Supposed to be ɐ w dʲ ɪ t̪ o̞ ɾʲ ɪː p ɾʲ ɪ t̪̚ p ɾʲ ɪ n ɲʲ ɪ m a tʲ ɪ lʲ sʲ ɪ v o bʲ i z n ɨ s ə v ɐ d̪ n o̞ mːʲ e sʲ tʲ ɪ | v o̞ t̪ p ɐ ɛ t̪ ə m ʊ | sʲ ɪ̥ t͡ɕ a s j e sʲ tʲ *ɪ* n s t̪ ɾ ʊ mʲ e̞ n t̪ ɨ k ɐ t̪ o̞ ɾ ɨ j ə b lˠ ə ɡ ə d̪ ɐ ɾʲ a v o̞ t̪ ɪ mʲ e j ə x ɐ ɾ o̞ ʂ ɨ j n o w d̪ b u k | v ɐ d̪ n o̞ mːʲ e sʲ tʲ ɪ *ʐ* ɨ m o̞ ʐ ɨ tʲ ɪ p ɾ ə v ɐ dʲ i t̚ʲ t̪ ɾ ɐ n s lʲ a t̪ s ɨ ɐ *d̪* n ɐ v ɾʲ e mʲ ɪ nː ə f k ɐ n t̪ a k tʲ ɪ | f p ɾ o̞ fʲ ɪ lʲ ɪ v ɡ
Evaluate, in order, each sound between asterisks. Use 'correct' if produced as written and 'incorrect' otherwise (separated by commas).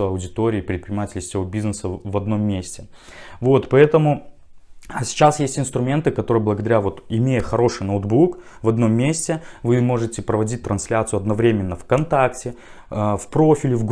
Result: correct, incorrect, correct